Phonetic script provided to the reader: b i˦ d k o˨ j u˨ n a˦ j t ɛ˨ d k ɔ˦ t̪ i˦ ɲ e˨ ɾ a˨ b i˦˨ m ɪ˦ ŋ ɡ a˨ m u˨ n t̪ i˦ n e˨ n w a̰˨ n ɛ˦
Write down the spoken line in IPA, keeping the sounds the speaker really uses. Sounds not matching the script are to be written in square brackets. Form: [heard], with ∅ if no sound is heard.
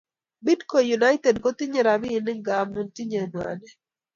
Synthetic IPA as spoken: b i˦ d k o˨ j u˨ n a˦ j t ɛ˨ d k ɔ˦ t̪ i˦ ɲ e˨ ɾ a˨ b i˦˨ [n] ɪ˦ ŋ ɡ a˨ m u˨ n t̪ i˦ [ɲ] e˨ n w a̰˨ n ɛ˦